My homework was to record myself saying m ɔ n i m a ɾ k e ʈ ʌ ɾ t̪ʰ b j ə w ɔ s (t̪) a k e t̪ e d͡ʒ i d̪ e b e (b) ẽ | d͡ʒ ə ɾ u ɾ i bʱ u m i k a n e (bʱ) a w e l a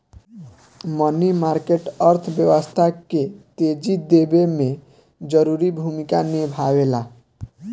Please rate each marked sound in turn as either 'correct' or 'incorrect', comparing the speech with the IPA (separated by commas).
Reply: incorrect, incorrect, correct